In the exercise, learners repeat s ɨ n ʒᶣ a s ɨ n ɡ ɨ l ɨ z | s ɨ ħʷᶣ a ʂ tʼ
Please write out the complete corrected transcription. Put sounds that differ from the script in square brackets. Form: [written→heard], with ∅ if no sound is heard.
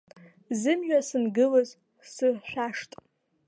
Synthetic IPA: [s→z] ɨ [n→m] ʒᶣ a s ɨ n ɡ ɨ l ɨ z | s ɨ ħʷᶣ a ʂ tʼ